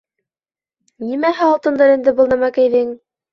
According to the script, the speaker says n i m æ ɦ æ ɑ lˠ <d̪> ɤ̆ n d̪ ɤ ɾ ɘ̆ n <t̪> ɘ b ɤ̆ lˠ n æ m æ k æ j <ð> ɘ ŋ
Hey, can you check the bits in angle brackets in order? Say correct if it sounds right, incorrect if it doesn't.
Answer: incorrect: t̪, incorrect: d̪, correct

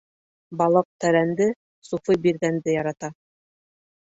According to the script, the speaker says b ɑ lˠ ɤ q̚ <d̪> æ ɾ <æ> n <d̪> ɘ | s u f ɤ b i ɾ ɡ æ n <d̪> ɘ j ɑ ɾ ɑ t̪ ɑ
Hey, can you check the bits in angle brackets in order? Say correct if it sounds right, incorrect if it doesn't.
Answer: incorrect: t̪, correct, correct, correct

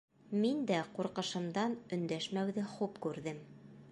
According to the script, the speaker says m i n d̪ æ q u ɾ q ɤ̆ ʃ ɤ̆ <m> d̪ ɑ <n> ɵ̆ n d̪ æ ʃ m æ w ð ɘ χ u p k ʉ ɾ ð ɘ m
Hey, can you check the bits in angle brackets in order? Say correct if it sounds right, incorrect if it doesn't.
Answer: correct, correct

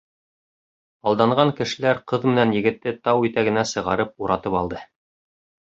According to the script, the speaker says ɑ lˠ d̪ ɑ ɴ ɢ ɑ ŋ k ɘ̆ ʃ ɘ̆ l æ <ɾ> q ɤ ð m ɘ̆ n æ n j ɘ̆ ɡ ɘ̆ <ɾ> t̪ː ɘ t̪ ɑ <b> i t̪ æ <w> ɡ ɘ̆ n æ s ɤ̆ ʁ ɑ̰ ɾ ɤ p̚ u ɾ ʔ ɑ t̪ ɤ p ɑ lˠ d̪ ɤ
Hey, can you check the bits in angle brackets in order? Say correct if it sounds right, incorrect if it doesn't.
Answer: correct, incorrect: none, incorrect: w, incorrect: none

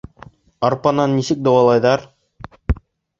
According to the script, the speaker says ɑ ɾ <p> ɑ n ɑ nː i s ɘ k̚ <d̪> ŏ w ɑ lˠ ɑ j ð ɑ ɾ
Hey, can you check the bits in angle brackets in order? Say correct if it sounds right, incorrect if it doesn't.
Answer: correct, correct

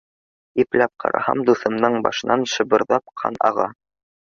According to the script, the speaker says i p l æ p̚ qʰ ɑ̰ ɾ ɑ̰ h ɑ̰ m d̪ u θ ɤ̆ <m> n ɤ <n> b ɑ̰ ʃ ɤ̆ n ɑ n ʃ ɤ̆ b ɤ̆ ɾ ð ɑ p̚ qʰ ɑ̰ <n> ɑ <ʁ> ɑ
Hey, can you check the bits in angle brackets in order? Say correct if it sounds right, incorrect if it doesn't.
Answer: correct, incorrect: ɴ, correct, correct

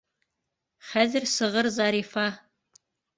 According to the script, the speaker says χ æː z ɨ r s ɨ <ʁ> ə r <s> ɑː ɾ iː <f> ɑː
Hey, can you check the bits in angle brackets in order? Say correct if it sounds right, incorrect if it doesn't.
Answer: correct, incorrect: z, correct

